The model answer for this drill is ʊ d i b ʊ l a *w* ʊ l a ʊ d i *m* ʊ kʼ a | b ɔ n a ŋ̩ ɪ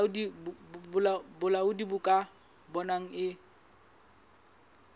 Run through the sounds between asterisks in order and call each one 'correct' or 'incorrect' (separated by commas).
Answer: incorrect, incorrect